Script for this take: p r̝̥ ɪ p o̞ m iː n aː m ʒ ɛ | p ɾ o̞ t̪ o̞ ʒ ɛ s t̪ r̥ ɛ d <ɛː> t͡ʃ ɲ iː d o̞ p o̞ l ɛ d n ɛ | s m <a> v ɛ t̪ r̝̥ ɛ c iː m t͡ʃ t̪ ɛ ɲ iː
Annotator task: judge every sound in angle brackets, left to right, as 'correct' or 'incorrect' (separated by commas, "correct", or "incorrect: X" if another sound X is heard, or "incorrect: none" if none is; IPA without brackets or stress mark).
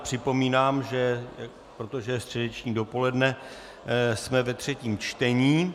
incorrect: ɛ, incorrect: ɛ